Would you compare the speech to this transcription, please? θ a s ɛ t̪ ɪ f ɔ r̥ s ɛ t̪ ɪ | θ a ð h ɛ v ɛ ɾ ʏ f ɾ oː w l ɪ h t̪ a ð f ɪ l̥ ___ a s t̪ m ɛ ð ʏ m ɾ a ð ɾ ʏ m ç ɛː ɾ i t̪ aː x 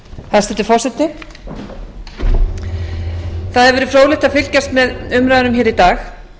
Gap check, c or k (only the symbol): c